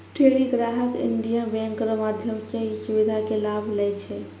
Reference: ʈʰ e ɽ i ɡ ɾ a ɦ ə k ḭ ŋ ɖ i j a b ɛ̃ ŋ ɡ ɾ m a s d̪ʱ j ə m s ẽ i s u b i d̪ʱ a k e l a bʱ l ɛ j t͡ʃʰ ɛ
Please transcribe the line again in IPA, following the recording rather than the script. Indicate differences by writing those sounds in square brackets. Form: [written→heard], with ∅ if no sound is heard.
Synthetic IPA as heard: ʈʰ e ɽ i ɡ ɾ a ɦ ə k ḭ [ŋ→ɳ] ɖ i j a b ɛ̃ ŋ [ɡ→k] ɾ m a [s→∅] d̪ʱ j ə m s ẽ i s u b i d̪ʱ a k e l a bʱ l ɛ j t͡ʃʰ ɛ